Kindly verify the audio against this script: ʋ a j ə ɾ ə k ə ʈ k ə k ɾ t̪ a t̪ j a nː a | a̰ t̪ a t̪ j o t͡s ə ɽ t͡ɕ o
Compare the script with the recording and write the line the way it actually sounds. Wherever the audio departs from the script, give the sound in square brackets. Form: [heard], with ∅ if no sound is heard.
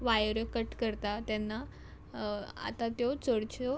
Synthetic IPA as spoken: ʋ a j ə ɾ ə k ə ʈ k ə [∅] ɾ t̪ a t̪ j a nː a | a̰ t̪ a t̪ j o t͡s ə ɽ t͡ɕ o